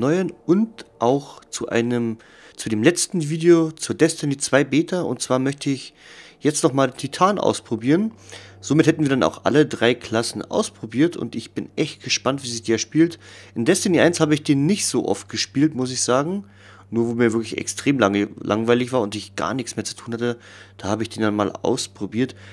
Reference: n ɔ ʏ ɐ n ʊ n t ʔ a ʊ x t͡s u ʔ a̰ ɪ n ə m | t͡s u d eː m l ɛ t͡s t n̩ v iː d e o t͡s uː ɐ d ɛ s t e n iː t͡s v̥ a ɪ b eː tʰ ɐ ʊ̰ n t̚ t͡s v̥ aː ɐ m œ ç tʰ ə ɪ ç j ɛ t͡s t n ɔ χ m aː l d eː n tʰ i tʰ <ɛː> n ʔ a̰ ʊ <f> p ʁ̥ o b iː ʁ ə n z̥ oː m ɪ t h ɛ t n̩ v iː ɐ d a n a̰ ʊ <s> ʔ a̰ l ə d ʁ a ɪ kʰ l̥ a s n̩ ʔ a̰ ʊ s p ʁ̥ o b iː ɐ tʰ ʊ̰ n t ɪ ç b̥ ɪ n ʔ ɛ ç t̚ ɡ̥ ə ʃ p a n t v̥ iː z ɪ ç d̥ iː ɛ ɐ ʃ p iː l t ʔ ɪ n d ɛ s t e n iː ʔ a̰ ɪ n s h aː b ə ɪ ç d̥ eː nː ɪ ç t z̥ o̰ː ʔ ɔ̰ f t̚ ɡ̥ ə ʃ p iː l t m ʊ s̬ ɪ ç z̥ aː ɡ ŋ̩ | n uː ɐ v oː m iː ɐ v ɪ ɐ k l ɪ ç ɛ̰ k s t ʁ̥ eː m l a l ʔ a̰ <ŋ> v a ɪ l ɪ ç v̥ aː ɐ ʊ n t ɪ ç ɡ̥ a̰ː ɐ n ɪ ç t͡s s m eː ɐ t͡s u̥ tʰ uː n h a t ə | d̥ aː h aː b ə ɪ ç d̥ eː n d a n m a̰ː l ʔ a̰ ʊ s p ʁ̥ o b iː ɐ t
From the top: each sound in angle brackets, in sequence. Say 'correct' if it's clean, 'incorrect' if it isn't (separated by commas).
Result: incorrect, incorrect, incorrect, correct